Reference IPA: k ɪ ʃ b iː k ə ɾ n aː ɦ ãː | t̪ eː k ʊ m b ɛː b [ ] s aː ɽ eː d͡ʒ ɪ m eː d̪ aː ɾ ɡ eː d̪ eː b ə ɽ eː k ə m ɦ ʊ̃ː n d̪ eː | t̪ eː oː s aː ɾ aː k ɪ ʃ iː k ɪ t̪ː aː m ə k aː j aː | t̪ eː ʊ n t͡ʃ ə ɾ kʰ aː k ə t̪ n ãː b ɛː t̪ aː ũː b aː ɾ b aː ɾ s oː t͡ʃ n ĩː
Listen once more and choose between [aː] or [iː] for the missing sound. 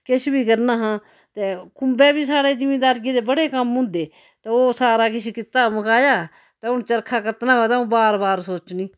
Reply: iː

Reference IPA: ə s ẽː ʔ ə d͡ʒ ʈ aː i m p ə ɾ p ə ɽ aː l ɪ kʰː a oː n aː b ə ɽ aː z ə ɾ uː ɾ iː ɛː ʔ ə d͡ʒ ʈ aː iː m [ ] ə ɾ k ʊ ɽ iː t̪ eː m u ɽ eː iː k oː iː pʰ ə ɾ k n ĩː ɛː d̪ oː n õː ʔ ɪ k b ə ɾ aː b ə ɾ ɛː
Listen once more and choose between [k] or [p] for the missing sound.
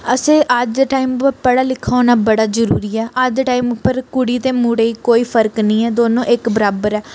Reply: p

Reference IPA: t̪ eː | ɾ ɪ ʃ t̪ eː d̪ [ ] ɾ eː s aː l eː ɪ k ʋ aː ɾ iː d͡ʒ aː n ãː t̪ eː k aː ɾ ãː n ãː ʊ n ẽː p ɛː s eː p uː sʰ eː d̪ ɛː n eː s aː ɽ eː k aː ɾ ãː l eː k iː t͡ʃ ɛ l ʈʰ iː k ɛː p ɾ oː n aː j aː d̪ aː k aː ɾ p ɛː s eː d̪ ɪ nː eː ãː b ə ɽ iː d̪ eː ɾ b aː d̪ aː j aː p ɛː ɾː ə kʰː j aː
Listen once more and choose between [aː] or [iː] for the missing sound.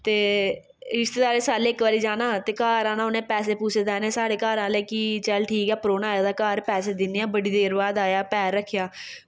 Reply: aː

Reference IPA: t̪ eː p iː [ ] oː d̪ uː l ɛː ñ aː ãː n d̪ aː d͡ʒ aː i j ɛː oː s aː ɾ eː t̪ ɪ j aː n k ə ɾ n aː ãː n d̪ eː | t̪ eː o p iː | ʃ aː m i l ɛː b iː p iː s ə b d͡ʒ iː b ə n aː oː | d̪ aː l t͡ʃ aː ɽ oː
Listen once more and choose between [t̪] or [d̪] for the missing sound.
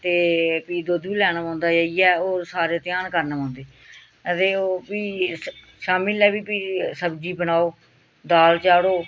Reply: d̪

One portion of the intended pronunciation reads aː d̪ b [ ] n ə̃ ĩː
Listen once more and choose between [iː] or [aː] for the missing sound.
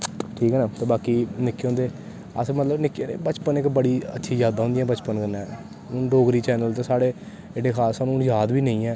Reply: iː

